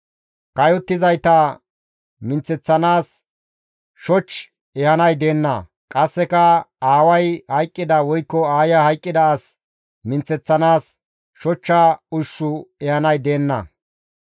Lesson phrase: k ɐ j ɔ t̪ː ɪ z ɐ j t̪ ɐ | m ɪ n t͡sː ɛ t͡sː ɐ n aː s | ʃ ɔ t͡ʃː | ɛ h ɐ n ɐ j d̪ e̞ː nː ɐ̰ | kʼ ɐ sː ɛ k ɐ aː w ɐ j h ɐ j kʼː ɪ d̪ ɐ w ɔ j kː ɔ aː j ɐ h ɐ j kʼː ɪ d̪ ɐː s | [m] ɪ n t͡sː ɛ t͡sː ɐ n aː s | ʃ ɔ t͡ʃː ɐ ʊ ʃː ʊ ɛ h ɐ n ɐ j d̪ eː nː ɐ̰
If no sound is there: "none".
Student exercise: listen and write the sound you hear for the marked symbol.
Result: m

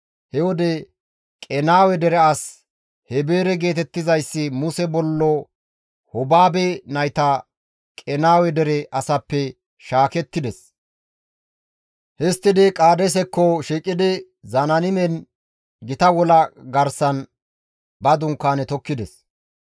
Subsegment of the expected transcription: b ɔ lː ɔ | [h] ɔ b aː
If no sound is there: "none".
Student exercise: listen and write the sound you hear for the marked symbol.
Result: h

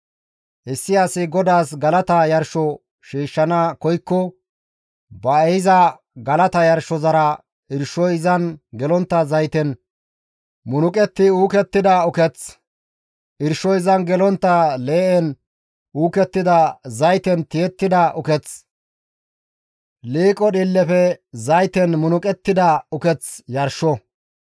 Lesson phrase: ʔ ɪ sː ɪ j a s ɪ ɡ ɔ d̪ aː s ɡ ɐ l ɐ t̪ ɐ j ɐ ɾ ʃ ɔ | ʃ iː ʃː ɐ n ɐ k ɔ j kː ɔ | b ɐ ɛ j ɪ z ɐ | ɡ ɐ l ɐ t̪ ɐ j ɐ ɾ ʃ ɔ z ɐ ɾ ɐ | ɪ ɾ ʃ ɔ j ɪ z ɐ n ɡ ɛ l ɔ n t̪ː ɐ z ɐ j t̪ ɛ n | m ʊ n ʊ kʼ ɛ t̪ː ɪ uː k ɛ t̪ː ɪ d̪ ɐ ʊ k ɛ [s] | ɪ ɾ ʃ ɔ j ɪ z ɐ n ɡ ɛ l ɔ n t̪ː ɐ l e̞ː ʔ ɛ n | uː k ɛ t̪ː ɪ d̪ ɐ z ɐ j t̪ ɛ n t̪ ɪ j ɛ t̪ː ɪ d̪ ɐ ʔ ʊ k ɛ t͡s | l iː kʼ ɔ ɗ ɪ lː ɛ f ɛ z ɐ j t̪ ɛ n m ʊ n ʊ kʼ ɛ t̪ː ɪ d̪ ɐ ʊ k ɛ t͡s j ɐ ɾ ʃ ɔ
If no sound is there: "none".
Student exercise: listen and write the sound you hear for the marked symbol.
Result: t͡s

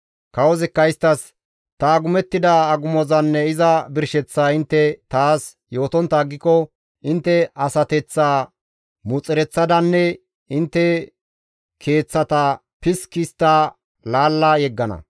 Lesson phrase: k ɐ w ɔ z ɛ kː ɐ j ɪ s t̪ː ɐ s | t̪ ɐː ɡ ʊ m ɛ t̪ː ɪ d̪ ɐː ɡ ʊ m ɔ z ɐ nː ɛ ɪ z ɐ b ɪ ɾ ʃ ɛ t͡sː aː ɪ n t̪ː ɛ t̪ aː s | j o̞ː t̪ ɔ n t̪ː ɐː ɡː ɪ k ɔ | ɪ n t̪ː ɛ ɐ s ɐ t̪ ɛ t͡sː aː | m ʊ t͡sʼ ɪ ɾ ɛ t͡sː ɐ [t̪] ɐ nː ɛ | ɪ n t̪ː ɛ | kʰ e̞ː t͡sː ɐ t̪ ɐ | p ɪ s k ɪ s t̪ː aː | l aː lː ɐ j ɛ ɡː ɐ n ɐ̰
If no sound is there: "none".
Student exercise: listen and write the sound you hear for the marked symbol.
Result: d̪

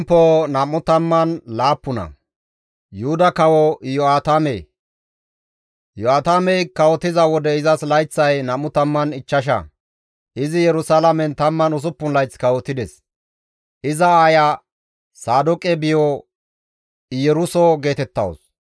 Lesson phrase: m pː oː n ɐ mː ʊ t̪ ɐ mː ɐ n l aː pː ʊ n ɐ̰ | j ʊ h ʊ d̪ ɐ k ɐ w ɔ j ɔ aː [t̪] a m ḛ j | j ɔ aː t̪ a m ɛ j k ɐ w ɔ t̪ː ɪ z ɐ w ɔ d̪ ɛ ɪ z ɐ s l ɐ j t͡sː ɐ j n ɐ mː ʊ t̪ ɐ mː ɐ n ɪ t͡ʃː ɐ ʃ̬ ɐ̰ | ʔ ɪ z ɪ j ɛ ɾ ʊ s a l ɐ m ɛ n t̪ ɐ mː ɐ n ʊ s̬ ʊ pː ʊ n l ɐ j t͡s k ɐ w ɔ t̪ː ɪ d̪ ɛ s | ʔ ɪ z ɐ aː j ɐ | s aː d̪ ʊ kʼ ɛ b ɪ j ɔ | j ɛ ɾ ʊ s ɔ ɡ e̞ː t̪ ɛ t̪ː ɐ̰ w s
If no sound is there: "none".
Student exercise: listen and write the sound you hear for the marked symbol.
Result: t̪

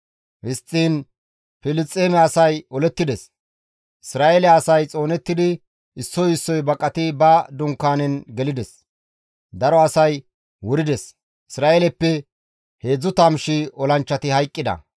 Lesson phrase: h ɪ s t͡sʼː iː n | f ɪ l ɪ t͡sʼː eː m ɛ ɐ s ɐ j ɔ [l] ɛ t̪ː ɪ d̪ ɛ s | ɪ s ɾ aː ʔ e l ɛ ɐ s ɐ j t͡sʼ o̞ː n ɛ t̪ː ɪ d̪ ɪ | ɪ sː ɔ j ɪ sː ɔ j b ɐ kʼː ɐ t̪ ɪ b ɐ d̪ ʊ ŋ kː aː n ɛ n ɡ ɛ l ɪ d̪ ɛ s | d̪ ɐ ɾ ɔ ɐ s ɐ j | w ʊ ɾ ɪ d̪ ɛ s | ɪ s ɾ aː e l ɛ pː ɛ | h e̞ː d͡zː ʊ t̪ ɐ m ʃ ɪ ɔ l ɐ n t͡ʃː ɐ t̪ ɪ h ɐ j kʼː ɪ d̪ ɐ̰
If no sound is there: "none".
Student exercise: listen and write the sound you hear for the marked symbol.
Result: l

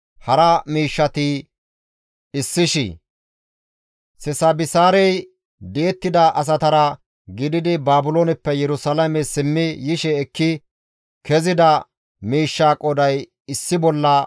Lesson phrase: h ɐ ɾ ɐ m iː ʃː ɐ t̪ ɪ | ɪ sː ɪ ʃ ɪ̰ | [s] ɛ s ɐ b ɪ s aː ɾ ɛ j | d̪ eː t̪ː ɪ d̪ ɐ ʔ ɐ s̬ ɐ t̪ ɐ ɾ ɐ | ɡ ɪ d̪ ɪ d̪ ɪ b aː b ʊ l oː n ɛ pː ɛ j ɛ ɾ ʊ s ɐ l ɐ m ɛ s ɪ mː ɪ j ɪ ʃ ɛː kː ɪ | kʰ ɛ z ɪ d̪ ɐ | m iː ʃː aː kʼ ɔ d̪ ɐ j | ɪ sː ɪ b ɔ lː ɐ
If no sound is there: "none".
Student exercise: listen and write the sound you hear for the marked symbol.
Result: s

